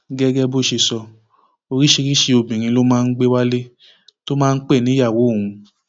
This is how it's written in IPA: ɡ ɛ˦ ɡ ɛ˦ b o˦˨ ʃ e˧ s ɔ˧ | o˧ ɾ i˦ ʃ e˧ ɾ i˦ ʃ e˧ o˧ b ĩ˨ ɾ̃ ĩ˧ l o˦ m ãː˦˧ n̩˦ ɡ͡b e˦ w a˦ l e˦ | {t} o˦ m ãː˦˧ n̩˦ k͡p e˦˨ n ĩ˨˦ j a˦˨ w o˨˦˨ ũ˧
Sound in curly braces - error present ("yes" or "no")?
no